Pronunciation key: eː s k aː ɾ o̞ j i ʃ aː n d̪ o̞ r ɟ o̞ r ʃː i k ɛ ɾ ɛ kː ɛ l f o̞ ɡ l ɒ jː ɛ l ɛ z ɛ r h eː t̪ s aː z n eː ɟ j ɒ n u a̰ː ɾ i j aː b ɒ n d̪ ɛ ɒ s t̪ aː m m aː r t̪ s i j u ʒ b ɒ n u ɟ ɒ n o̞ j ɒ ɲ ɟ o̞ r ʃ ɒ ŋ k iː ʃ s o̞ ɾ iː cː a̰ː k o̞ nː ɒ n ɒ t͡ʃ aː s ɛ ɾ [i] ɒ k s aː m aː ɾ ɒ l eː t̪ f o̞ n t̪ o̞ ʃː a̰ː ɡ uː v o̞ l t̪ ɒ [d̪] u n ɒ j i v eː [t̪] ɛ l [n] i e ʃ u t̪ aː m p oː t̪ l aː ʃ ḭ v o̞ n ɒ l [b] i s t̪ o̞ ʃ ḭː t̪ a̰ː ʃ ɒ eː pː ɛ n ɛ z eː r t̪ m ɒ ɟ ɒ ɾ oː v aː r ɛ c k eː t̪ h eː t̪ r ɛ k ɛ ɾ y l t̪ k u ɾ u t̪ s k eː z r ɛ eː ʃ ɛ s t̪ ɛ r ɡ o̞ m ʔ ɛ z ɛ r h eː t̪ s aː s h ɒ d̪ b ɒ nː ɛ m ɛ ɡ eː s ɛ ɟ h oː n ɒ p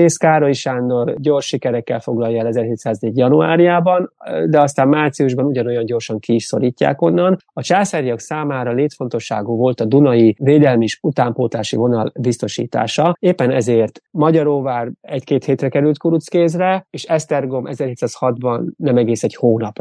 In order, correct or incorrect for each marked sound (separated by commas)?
incorrect, correct, incorrect, incorrect, correct